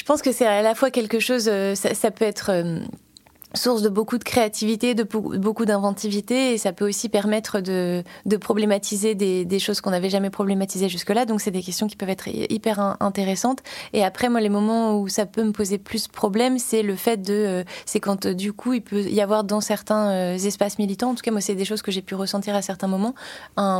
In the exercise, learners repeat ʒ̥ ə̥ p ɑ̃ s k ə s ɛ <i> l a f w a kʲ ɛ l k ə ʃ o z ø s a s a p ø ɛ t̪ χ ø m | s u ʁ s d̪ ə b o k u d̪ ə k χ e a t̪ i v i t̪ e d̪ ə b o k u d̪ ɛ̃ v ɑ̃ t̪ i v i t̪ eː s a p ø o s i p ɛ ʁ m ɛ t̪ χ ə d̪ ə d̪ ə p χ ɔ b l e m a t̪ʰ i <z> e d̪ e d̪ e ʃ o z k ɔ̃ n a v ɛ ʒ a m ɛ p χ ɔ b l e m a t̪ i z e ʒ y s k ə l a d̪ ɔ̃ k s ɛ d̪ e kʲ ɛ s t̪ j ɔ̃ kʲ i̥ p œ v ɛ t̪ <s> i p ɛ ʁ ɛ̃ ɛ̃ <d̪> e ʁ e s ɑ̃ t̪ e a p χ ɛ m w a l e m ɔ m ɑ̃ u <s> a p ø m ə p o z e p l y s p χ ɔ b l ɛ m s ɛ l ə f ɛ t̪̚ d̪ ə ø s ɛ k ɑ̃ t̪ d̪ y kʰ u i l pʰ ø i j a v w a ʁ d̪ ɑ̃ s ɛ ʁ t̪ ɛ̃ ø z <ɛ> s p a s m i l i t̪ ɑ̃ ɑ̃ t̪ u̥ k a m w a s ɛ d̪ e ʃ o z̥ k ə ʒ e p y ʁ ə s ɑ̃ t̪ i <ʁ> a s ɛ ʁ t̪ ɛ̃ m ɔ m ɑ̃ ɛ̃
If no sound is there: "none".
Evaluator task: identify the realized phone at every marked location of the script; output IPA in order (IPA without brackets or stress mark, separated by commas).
a, z, χ, t̪, s, ɛ, ʁ